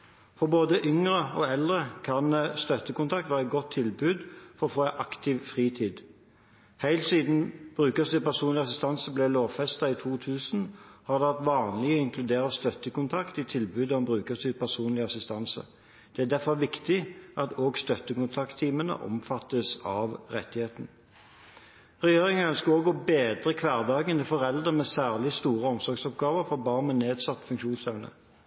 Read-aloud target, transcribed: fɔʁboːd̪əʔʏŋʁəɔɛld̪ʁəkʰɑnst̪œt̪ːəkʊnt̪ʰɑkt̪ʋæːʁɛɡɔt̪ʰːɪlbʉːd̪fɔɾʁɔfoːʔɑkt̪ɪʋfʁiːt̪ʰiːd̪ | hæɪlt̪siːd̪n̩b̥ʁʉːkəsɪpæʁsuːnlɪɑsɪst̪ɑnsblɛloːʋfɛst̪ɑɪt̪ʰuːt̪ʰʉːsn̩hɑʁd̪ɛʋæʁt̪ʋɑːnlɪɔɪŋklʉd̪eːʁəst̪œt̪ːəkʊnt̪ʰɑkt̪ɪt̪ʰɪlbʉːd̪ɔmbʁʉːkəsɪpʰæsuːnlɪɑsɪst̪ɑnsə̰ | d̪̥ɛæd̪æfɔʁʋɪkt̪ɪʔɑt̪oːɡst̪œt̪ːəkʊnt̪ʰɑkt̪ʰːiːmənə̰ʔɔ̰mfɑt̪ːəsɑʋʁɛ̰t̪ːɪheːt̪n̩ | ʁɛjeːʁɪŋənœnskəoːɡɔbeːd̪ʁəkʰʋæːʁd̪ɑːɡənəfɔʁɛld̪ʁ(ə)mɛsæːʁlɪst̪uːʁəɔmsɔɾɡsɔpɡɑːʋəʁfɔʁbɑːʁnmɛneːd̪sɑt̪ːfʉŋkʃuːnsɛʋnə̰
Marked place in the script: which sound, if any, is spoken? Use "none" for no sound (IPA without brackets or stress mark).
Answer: ə